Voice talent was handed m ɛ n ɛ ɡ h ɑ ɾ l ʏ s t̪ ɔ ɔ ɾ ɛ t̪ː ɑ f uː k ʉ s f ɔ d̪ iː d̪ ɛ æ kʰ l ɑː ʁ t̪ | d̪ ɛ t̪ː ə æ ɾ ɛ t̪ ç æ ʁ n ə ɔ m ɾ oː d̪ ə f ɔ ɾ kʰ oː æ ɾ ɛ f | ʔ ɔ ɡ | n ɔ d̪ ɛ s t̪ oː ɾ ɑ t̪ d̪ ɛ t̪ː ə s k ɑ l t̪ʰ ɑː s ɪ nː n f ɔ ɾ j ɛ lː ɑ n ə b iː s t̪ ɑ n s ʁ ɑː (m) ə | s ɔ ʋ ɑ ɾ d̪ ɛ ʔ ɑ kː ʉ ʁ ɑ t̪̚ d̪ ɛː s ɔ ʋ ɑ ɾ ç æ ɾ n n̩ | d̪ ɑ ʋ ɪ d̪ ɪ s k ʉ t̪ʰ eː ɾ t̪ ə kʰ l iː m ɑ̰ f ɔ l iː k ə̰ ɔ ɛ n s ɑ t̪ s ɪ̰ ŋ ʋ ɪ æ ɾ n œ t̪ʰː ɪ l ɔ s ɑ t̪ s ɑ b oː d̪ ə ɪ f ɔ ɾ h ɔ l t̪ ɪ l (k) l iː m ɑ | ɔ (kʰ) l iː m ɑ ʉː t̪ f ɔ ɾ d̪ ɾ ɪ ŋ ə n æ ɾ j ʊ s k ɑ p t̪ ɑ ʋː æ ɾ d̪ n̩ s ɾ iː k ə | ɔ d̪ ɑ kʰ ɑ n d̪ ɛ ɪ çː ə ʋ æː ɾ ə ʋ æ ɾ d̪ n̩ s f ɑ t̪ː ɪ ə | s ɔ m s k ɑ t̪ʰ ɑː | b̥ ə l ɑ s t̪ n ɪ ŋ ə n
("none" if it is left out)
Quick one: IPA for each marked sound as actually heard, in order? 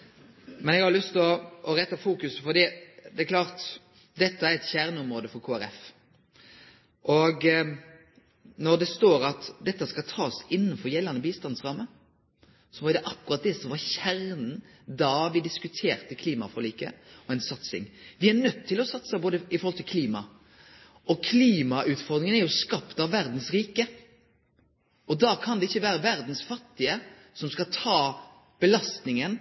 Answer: m, kʰ, kʰ

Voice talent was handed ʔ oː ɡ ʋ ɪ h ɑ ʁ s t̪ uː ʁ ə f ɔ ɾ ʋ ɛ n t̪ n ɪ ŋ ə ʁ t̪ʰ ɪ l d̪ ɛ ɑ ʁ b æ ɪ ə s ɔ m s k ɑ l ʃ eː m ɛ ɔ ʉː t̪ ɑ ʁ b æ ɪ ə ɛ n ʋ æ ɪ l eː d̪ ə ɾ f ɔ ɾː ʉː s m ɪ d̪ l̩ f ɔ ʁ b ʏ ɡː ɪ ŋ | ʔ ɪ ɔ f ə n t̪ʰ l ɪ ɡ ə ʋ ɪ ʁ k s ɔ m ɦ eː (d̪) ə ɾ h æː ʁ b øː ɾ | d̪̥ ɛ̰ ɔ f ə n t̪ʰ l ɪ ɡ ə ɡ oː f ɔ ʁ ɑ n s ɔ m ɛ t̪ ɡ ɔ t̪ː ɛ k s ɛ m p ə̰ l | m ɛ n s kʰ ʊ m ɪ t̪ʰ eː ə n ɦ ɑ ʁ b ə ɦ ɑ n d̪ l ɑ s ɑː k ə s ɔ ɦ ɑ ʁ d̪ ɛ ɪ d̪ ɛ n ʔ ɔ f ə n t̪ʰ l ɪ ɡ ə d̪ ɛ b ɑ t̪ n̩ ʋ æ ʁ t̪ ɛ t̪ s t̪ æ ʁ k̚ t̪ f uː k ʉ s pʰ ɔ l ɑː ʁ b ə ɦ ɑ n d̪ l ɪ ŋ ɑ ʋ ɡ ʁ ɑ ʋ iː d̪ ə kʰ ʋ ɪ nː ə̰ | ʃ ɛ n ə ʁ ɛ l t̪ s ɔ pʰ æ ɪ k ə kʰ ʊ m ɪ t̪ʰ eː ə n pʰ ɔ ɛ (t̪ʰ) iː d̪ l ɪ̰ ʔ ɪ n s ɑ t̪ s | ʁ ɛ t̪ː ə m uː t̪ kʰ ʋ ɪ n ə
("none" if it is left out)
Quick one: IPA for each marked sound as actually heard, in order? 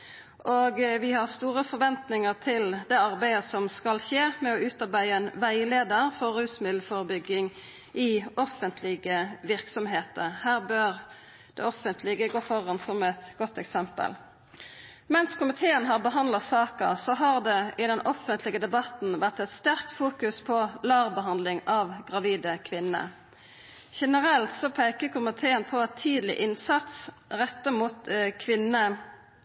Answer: t̪, t̪ʰ

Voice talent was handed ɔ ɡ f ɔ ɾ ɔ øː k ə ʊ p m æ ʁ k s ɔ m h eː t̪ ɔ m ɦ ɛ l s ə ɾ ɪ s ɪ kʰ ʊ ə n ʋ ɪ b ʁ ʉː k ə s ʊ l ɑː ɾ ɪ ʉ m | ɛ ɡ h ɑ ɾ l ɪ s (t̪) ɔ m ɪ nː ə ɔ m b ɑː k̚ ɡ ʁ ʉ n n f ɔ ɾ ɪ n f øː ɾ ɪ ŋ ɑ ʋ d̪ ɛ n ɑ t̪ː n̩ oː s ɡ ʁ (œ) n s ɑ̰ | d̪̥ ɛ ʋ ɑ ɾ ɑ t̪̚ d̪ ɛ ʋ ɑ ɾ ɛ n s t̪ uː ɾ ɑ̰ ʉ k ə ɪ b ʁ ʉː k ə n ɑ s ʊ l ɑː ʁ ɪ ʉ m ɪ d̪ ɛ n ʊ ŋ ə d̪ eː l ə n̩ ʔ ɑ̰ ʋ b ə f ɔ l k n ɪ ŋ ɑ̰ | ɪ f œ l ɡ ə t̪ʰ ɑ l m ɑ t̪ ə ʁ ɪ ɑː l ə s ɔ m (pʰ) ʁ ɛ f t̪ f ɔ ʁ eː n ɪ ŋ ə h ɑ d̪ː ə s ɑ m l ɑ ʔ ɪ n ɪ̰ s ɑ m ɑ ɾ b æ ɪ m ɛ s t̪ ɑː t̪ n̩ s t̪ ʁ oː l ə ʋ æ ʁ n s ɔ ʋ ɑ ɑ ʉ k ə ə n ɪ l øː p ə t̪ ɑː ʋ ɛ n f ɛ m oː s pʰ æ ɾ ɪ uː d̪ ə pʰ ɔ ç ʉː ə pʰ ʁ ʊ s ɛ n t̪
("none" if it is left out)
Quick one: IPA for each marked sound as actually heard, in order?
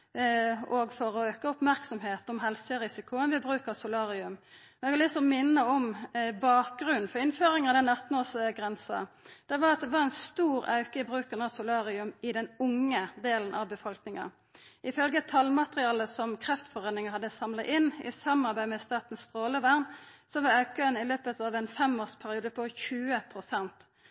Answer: t̪, ɛ, kʰ

